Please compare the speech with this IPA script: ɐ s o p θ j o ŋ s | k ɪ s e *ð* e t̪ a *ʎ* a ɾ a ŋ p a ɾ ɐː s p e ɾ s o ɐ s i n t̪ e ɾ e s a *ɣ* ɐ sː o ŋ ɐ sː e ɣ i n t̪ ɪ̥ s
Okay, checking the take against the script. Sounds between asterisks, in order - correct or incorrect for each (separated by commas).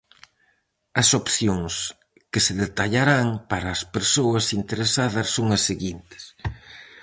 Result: correct, correct, incorrect